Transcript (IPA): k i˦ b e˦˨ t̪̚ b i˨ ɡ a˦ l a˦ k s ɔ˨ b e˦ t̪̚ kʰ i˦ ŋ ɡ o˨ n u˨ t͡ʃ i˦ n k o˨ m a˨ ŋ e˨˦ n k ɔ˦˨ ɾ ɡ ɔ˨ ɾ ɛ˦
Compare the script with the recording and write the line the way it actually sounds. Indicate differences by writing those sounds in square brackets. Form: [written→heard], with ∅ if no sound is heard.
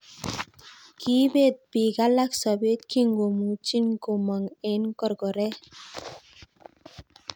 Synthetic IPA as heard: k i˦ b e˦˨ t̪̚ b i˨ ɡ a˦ l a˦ k s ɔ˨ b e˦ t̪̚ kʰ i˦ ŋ ɡ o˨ [n→m] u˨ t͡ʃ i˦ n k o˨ m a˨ ŋ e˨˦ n k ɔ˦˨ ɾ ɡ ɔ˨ ɾ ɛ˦